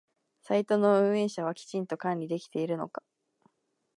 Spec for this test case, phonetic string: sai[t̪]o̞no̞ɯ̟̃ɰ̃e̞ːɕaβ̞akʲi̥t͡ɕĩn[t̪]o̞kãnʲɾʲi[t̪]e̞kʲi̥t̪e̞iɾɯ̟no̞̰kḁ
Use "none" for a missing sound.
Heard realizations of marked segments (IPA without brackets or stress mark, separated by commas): t̪, t̪, d̪